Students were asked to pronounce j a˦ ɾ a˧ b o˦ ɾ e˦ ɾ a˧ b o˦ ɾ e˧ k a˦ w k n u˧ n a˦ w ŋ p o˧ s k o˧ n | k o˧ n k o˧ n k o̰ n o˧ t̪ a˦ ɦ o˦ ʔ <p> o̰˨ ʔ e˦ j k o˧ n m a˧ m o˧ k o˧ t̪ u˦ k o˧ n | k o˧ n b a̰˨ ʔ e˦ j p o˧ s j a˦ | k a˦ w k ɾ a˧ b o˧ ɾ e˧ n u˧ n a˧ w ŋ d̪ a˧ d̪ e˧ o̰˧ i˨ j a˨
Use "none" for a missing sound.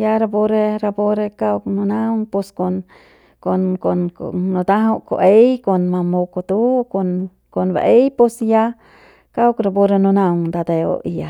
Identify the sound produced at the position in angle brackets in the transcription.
k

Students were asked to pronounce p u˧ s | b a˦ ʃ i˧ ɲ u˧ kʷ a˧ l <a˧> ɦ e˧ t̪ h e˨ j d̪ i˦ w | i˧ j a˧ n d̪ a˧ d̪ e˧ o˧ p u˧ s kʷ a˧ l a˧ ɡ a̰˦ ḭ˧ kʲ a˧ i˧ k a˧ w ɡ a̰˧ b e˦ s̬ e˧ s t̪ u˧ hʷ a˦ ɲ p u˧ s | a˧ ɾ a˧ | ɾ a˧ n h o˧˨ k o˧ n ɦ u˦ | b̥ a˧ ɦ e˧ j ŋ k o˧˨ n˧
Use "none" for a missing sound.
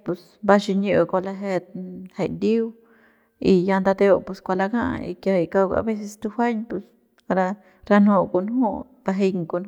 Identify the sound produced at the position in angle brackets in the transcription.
a˧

